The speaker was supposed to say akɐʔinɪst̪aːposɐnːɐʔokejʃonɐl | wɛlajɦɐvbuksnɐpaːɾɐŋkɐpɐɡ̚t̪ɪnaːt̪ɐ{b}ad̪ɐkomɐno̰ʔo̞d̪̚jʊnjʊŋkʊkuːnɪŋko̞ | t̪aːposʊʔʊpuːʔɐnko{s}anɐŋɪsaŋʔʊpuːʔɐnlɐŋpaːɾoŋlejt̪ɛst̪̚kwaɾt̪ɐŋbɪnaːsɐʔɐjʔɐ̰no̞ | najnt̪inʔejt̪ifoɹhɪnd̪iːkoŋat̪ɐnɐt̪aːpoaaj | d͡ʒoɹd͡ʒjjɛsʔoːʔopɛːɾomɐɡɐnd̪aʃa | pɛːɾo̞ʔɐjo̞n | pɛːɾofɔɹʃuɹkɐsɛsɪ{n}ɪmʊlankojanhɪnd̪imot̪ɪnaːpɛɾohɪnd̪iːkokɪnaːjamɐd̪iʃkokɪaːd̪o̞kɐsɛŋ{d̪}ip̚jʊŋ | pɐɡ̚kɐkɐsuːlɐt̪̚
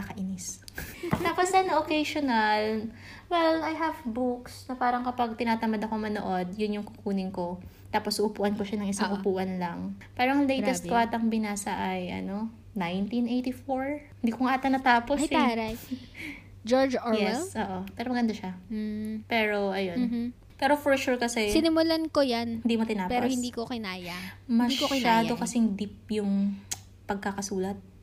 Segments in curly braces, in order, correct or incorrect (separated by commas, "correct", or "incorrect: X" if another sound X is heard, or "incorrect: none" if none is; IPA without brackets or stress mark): incorrect: m, incorrect: ʃ, correct, correct